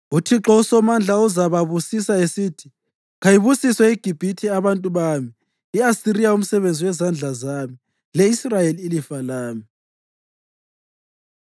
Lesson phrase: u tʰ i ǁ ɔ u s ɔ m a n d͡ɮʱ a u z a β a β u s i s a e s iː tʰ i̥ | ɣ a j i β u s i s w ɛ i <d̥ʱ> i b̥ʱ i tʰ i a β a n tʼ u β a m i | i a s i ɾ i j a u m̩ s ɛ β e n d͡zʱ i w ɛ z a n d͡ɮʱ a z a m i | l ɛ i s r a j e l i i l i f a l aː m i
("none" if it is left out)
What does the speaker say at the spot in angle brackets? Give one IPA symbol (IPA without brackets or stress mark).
ɡ̥ʱ